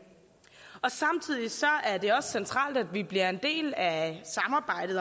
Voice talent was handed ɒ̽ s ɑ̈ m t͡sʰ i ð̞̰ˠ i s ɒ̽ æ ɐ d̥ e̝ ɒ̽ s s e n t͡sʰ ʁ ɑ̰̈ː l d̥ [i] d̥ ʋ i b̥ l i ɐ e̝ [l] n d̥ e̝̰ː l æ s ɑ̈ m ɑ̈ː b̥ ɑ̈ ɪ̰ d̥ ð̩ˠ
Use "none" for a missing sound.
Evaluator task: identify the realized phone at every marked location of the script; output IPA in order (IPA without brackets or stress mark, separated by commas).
æ, none